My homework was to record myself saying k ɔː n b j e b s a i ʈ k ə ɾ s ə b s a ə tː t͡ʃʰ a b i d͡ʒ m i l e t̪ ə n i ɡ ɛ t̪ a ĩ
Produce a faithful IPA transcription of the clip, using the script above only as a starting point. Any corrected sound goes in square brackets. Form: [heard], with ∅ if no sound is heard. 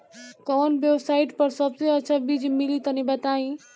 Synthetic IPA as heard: k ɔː n b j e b s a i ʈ [p] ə ɾ s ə b s [e] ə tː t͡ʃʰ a b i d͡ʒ m i l [i] t̪ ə n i [b] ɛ t̪ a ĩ